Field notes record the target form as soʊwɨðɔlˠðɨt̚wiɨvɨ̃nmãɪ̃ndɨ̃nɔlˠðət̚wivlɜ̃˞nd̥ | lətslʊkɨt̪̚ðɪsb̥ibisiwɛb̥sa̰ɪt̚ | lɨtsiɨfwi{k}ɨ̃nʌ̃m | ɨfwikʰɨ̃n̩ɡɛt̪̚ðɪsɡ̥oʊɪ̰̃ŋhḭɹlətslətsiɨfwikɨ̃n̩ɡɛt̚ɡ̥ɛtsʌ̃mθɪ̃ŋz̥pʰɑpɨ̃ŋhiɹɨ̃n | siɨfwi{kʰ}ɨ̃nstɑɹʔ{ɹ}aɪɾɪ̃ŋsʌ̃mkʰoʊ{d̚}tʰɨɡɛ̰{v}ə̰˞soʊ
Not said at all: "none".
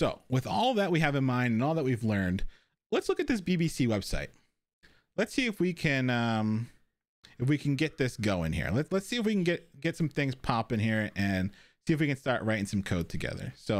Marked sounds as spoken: kʰ, k, ɹ, d̚, ð

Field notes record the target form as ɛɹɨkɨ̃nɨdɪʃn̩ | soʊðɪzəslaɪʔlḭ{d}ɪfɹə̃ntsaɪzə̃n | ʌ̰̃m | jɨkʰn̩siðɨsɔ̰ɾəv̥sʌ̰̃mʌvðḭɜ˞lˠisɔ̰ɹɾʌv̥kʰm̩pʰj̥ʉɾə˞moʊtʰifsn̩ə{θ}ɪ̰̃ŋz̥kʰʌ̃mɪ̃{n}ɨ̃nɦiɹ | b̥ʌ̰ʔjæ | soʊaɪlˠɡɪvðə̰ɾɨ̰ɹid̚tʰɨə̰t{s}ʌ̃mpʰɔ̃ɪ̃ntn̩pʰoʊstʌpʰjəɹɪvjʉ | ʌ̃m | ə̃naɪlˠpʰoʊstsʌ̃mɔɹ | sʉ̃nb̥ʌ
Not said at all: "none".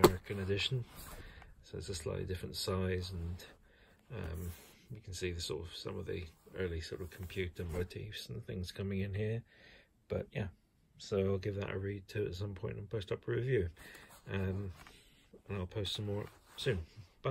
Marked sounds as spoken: d, θ, ŋ, s

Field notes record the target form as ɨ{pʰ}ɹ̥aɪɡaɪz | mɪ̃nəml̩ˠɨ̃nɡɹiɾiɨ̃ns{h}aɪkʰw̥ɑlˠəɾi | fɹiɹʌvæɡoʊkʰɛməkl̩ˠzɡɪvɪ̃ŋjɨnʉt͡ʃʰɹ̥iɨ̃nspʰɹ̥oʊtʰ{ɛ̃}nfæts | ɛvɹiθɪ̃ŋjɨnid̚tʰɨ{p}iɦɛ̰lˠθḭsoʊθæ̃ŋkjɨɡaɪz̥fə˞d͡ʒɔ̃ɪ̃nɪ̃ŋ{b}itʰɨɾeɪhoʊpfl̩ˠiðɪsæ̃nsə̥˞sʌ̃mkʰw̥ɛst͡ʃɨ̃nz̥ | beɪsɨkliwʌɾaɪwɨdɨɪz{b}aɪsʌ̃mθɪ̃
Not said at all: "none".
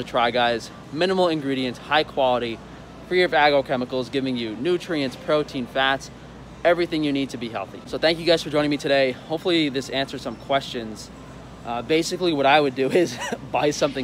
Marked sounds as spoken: tʰ, h, ĩ, b, m, b

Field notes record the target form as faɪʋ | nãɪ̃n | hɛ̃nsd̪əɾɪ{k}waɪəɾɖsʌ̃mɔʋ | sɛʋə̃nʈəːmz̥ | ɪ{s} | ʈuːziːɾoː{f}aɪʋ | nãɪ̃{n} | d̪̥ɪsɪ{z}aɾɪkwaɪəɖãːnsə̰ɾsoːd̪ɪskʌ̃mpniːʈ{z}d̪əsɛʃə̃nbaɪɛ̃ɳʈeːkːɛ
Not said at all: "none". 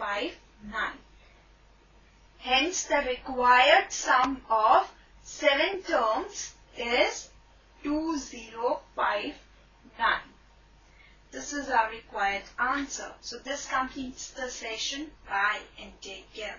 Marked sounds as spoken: k, z, f, n, z, s

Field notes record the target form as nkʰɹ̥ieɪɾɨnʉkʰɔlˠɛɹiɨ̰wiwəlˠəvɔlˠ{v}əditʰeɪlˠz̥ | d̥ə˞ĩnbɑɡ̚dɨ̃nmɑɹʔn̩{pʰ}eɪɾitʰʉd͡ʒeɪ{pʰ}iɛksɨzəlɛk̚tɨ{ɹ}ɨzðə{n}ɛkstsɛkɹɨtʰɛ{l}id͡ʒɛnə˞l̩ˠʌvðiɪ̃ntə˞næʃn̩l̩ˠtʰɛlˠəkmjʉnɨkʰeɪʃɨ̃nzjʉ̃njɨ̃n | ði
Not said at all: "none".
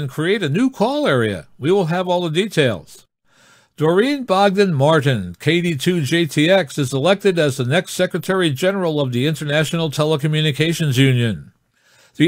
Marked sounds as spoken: ð, kʰ, tʰ, ɾ, n, ɹ

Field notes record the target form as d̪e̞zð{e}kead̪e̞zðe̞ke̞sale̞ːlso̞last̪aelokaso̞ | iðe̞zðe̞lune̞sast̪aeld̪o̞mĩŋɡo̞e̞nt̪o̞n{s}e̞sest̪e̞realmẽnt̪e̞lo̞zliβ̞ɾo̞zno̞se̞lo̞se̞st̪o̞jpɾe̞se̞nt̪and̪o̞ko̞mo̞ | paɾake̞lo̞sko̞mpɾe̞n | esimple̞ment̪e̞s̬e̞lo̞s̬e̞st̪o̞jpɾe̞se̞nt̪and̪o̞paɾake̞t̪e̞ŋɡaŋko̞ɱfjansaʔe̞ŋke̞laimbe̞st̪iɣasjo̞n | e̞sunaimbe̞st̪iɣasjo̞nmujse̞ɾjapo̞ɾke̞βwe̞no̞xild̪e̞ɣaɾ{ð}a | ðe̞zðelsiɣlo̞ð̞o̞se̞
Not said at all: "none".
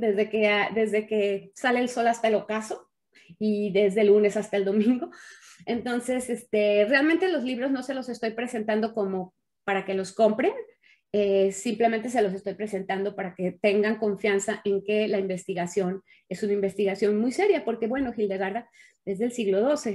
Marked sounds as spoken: e, s, ð

